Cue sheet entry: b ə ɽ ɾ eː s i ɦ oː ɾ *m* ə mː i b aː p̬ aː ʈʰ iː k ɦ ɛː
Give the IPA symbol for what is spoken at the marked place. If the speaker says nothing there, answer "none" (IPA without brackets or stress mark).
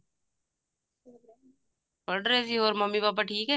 m